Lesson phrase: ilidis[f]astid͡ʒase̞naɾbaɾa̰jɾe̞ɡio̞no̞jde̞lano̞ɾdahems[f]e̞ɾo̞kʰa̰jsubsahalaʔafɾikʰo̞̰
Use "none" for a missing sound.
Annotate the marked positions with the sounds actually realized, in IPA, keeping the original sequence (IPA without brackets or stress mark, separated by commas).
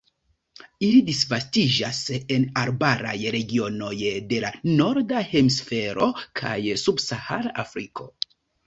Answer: v, f